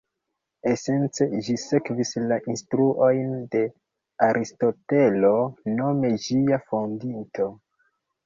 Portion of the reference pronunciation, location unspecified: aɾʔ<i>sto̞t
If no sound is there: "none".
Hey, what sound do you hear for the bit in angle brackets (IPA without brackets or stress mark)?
i